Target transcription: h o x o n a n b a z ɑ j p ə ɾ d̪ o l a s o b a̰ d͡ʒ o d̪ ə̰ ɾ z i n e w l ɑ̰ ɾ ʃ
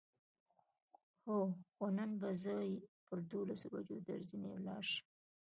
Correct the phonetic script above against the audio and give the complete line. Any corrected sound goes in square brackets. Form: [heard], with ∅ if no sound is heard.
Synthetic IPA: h o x o n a n b a z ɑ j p ə ɾ d̪ o l a s o b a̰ d͡ʒ o d̪ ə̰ ɾ z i n e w l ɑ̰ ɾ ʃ